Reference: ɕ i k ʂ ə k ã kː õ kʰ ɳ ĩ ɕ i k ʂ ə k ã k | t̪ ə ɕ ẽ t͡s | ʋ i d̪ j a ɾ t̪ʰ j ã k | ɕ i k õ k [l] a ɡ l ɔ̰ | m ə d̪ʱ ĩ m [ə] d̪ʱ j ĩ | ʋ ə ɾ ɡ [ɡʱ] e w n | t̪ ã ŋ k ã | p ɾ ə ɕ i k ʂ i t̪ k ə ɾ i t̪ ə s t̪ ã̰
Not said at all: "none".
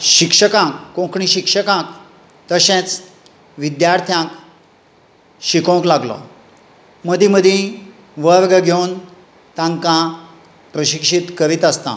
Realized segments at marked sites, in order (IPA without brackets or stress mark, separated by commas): l, ə, ɡʱ